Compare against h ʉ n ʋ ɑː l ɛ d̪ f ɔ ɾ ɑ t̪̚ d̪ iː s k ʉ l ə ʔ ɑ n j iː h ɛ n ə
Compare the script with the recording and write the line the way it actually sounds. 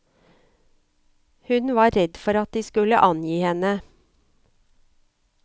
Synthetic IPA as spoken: h ʉ n ʋ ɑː ɾ ɛ d̪ f ɔ ɾ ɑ t̪̚ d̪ iː s k ʉ l ə ʔ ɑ n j iː h ɛ n ə